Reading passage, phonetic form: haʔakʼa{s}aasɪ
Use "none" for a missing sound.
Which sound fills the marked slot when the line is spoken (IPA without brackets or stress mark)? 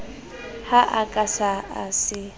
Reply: s